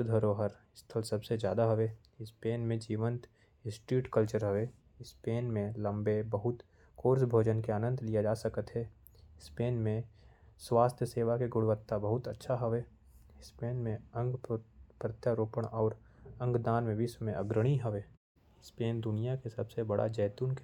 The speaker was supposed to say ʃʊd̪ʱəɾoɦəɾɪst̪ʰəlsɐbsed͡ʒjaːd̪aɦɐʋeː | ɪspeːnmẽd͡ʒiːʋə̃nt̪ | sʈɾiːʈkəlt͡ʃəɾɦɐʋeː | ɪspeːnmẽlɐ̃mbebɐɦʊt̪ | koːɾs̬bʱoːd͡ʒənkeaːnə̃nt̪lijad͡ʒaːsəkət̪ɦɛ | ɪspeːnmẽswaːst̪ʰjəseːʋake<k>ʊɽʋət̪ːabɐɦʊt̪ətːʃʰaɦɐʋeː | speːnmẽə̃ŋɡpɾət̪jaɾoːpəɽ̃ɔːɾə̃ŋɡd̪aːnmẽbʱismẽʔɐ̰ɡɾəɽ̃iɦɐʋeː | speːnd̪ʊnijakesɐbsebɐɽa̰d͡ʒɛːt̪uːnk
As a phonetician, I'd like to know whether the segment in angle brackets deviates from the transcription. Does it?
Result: yes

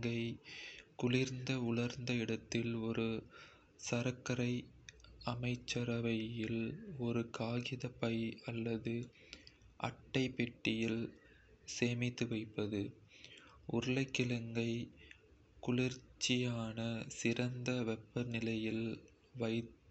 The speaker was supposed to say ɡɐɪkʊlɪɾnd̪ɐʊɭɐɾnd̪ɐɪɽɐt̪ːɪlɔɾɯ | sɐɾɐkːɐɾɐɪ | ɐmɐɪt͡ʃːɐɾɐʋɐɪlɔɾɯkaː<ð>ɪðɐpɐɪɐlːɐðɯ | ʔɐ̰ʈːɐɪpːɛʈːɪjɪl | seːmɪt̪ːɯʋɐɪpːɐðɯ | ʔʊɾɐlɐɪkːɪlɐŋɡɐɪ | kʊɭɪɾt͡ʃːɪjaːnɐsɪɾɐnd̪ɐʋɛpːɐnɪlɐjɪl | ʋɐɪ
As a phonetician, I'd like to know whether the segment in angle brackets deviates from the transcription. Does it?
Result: yes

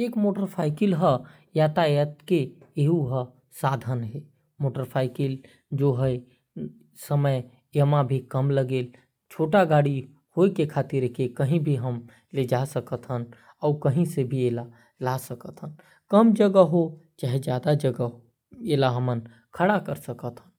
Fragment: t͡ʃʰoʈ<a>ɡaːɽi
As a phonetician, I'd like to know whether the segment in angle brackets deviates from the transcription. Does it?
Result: no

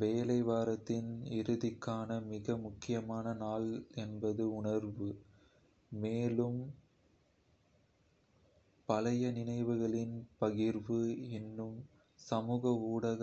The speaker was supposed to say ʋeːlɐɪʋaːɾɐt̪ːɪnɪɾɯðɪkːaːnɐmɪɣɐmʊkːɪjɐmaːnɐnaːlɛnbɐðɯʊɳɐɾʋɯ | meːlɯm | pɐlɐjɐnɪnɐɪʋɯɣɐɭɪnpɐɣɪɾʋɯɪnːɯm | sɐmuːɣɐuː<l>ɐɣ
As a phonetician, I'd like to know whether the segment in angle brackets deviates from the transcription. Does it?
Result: yes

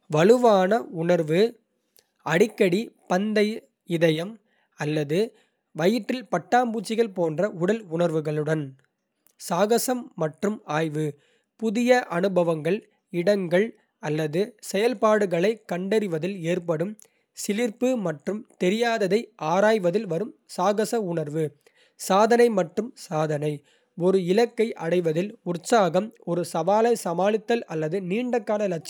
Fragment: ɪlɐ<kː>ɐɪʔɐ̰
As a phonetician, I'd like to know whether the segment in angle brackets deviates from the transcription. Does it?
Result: no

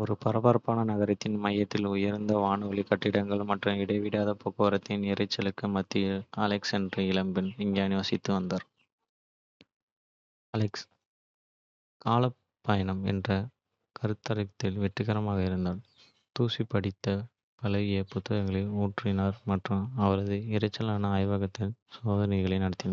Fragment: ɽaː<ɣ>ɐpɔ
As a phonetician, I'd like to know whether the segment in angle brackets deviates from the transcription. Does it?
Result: yes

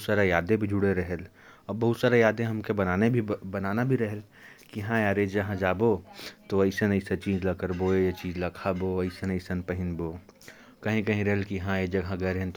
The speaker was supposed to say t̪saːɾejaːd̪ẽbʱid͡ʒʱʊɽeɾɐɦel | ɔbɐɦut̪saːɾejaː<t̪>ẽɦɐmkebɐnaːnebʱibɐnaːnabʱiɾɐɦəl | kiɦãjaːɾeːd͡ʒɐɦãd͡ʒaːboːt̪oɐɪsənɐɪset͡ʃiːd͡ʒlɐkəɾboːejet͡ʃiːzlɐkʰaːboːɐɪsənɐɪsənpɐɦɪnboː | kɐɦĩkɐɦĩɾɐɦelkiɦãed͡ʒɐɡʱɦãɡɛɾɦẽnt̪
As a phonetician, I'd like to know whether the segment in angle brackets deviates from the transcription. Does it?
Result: yes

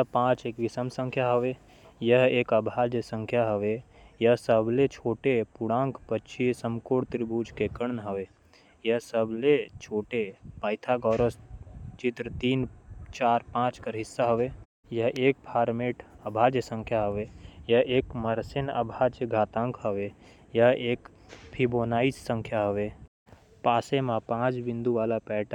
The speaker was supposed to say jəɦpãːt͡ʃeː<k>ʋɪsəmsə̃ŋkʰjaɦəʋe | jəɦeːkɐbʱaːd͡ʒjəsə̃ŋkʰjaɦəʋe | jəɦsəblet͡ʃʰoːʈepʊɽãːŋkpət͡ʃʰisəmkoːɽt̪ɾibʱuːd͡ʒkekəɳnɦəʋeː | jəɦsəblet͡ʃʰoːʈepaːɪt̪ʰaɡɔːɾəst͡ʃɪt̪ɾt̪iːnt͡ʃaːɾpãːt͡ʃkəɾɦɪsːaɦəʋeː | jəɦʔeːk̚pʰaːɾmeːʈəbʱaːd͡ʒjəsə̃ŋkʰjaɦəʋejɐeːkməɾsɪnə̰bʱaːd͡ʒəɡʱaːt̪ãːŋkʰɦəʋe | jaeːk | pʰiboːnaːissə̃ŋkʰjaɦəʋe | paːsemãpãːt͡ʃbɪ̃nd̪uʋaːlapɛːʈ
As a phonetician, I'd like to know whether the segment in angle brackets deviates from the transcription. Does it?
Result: no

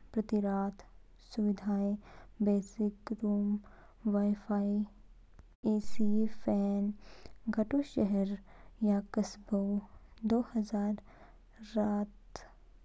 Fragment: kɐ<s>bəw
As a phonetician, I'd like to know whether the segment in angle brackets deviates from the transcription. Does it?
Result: no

